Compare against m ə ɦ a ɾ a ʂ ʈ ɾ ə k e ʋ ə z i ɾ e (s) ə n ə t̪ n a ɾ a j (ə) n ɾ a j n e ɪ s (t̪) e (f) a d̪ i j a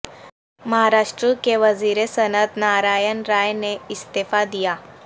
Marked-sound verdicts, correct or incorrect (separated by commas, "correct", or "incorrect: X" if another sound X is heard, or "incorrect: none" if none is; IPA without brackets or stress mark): correct, correct, correct, correct